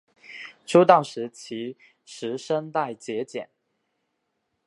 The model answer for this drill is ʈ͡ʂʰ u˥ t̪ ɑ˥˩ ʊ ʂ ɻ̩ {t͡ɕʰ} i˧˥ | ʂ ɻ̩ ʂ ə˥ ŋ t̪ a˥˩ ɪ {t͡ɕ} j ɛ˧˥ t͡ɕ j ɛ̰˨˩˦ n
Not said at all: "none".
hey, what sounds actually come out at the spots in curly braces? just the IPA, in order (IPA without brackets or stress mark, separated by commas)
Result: t͡ɕʰ, t͡ɕ